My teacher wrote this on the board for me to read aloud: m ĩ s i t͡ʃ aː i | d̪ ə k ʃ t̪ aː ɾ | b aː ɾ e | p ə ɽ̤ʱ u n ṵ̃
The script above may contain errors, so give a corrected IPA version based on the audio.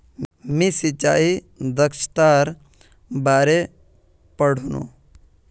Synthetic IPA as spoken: m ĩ s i t͡ʃ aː i | d̪ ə k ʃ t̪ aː ɾ | b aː ɾ e | p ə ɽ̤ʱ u n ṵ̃